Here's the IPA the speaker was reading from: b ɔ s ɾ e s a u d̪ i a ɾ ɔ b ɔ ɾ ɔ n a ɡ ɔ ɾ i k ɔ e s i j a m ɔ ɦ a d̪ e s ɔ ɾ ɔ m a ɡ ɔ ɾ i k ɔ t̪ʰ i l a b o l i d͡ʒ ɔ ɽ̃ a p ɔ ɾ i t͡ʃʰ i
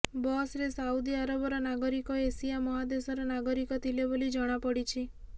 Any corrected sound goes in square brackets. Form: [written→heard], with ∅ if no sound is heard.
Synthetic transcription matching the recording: b ɔ s ɾ e s a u d̪ i a ɾ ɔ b ɔ ɾ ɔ n a ɡ ɔ ɾ i k ɔ e s i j a m ɔ ɦ a d̪ e s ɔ ɾ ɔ [m→n] a ɡ ɔ ɾ i k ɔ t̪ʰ i l [a→e] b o l i d͡ʒ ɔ ɽ̃ a p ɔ [ɾ→ɽ] i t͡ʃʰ i